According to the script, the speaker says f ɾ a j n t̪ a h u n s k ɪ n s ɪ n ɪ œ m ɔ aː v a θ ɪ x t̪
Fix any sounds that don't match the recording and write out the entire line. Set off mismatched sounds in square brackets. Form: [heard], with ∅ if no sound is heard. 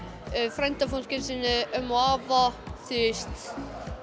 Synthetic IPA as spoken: f ɾ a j n t̪ a [f] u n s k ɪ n s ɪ n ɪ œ m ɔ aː v a θ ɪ [s] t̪